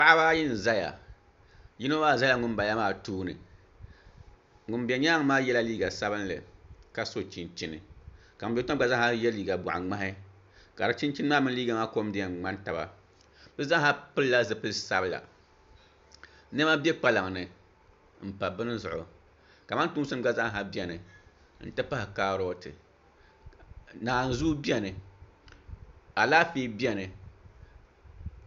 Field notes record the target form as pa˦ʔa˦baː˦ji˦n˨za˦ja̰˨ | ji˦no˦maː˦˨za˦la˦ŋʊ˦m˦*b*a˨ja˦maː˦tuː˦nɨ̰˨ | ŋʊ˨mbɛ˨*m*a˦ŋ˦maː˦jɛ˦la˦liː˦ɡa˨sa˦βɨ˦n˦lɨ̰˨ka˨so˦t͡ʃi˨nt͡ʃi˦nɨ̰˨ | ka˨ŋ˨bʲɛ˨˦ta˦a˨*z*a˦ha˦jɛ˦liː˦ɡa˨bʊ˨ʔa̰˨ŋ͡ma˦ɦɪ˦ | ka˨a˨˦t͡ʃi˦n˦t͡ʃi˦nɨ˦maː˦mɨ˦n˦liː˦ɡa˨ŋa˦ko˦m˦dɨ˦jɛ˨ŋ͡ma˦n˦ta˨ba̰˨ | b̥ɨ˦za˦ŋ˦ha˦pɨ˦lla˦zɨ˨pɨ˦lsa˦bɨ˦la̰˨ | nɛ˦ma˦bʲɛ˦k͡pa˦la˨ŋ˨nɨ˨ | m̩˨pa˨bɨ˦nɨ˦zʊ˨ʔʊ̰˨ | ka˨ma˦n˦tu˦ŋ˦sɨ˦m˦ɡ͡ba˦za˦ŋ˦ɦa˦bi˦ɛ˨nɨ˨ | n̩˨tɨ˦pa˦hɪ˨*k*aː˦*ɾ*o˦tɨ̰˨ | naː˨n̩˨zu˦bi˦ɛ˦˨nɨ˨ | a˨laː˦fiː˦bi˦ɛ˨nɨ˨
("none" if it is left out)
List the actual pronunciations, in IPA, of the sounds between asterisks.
b, ɲ, z, k, ɾ

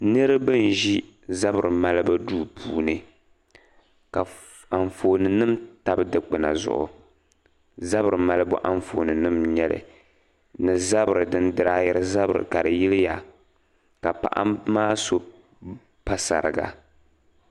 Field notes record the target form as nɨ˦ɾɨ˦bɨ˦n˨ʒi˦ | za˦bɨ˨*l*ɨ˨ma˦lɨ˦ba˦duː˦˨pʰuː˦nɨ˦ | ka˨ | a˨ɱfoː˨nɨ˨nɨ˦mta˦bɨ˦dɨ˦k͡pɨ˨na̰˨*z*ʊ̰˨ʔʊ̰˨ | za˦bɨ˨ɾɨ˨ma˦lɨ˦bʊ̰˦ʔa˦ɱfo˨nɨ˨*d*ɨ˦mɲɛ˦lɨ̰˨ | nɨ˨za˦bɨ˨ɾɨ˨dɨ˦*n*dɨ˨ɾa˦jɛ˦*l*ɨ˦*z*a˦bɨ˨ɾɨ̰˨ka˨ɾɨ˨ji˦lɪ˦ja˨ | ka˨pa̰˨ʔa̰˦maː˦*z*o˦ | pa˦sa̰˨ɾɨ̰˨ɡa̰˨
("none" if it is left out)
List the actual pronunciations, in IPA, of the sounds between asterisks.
ɾ, z, n, n, ɾ, z, s

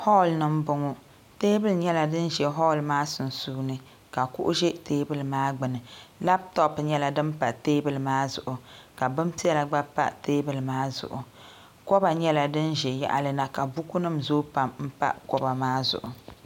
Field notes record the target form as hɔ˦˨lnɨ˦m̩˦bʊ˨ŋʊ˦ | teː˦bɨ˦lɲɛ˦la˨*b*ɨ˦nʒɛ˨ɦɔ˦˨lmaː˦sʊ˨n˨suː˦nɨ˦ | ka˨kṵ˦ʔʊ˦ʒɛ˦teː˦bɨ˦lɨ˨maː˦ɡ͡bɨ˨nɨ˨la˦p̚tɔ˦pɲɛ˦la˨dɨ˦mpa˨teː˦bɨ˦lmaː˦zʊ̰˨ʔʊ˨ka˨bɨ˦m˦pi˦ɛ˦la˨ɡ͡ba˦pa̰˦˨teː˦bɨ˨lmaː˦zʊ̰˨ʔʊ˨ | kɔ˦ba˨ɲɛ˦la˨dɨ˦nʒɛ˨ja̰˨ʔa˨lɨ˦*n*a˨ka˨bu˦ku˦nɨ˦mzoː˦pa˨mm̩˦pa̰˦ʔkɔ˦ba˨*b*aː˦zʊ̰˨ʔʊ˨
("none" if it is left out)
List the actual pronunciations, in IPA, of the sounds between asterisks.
d, n, m

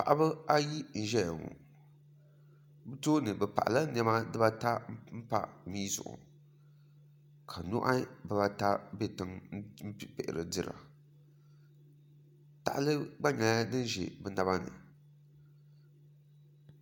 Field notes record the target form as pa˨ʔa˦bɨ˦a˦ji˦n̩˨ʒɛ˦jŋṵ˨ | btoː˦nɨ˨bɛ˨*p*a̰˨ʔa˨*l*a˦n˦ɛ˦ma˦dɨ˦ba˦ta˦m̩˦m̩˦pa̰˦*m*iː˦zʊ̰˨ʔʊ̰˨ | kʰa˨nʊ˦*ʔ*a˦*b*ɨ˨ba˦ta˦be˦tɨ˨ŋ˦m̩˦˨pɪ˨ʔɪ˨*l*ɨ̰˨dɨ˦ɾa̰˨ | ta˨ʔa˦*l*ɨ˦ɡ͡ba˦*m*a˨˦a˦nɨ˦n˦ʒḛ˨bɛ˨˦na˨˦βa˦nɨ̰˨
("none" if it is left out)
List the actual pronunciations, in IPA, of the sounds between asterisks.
p, l, m, ʔ, b, ɾ, l, ɲ

